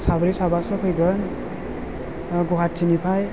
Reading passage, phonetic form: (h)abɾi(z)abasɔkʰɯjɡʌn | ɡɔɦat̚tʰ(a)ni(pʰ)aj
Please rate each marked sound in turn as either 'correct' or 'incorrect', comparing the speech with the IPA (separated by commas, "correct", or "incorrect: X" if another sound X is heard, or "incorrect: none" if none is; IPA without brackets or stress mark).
incorrect: s, incorrect: s, incorrect: i, correct